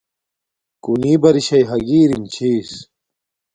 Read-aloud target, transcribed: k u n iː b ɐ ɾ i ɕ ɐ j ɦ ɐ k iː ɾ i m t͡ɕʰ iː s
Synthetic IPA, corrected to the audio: k u n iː b ɐ ɾ i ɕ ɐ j ɦ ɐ ɡ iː ɾ i m t͡ɕʰ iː s

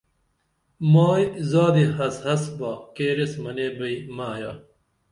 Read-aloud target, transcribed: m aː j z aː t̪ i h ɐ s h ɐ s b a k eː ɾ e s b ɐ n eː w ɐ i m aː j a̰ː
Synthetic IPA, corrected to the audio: m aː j z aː d̪ i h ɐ s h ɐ s b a k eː ɾ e s m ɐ n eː b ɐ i m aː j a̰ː

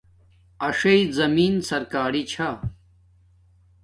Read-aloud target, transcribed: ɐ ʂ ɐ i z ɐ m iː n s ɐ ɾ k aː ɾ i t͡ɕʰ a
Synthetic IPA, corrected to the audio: ɐ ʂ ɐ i z ɐ m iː n s ɐ ɾ k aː ɾ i t͡ɕʰ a

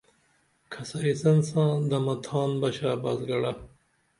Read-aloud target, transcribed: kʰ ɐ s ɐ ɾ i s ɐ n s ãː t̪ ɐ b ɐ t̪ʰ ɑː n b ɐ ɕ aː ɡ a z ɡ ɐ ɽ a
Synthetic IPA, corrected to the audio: kʰ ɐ s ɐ ɾ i s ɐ n s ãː d̪ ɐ m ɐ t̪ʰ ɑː n b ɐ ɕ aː b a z ɡ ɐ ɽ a

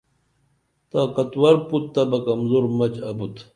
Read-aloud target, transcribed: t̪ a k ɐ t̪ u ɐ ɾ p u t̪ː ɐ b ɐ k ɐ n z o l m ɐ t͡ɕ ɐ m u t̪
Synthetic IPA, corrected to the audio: t̪ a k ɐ t̪ w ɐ ɾ p u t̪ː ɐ b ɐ k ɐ m z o ɾ m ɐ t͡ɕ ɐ b u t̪

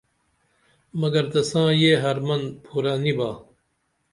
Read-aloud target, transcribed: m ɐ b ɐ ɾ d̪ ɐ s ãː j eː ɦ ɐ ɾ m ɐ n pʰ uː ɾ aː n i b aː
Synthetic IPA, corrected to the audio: m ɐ ɡ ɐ ɾ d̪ ɐ s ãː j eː ɦ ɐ ɾ m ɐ n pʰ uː ɾ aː n i b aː

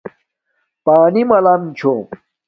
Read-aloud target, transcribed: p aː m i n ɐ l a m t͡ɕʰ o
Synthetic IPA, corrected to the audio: p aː n i m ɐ l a m t͡ɕʰ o

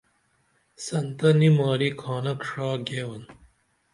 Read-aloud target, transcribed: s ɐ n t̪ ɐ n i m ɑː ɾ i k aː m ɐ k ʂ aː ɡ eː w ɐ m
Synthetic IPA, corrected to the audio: s ɐ n t̪ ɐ n i m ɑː ɾ i kʰ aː n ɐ k ʂ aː ɡ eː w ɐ n

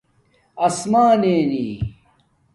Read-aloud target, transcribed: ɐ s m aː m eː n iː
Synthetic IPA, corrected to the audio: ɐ s m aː n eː n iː

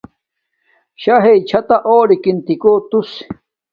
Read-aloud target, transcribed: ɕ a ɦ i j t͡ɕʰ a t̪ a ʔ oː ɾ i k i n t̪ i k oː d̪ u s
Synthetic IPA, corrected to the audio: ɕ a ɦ e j t͡ɕʰ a t̪ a ʔ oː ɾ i k i n t̪ i k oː t̪ u s

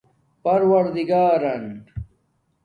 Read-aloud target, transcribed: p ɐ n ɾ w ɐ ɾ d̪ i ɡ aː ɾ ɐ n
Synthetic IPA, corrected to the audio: p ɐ ɾ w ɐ ɾ d̪ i ɡ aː ɾ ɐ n

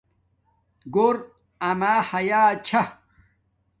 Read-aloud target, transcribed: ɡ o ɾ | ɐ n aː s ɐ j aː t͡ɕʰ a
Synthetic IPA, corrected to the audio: ɡ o ɾ | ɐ m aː h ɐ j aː t͡ɕʰ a

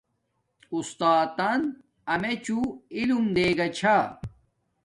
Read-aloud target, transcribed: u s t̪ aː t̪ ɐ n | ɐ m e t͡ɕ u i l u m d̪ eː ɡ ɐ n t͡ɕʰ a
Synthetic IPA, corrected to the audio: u s t̪ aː t̪ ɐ n | ɐ m e t͡ɕ u i l u m d̪ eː ɡ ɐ t͡ɕʰ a

